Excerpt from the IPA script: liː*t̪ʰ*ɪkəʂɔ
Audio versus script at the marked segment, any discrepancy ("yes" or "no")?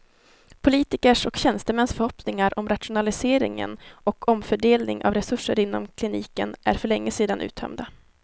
yes